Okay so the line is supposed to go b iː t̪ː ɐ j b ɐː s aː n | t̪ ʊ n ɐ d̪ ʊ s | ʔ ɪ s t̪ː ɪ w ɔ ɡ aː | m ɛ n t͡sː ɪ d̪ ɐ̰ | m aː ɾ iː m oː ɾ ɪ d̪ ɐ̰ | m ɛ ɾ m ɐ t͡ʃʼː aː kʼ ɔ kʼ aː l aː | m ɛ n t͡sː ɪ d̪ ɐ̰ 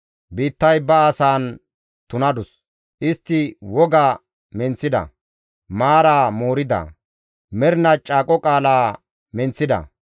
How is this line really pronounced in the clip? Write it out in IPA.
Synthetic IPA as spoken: b iː t̪ː ɐ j b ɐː s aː n | t̪ ʊ n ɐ d̪ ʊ s | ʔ ɪ s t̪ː ɪ w ɔ ɡ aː | m ɛ n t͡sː ɪ d̪ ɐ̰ | m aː ɾ aː m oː ɾ ɪ d̪ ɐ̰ | m ɛ ɾ n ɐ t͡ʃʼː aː kʼ ɔ kʼ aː l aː | m ɛ n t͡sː ɪ d̪ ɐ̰